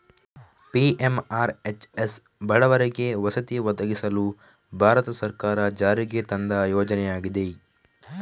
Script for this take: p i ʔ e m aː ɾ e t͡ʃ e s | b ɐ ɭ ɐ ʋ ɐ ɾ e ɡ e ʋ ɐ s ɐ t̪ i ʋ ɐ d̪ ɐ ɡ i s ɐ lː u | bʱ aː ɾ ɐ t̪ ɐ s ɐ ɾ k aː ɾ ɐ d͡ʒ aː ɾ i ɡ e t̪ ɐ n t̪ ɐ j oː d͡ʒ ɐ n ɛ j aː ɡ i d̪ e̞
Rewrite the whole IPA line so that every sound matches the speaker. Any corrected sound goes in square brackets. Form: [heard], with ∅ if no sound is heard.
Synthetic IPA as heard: p i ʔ e m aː ɾ e t͡ʃ e s | b ɐ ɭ ɐ ʋ ɐ ɾ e ɡ e ʋ ɐ s ɐ t̪ i ʋ ɐ d̪ ɐ ɡ i s ɐ [l] u | bʱ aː ɾ ɐ t̪ ɐ s ɐ ɾ k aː ɾ ɐ d͡ʒ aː ɾ i ɡ e t̪ ɐ n [d̪] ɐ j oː d͡ʒ ɐ n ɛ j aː ɡ i d̪ e̞